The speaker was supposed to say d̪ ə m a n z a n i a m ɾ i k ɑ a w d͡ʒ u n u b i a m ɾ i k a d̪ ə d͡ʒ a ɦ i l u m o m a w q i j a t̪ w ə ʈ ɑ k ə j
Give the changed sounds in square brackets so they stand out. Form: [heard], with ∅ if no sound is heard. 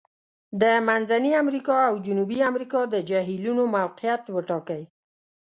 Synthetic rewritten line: d̪ ə m a n z a n i a m ɾ i k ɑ a w d͡ʒ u n u b i a m ɾ i k [ɑ] d̪ ə d͡ʒ a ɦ i l u [n] o m a w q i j a t̪ w ə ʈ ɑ k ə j